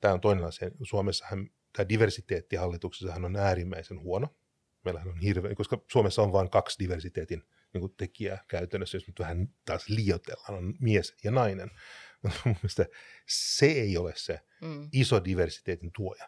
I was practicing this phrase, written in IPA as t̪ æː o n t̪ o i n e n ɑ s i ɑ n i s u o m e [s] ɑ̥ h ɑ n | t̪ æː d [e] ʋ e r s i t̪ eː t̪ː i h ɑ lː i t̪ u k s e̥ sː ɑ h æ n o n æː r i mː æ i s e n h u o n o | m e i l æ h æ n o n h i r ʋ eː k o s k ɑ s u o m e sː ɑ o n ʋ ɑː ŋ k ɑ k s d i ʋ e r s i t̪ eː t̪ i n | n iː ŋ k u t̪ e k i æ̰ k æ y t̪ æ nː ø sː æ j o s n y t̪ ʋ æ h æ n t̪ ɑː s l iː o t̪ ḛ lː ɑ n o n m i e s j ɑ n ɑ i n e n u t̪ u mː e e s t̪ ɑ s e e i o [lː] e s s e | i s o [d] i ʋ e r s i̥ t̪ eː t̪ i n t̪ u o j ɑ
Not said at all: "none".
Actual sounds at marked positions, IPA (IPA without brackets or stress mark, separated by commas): sː, i, l, d